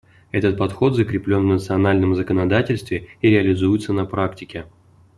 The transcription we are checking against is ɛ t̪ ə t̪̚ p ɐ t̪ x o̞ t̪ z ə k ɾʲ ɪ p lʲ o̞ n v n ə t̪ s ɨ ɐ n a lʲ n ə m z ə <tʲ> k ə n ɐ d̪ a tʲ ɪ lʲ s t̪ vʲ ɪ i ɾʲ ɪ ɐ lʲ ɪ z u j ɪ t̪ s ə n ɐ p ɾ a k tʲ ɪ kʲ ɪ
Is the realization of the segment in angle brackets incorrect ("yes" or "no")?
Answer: yes